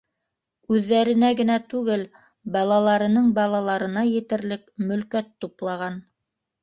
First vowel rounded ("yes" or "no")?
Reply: yes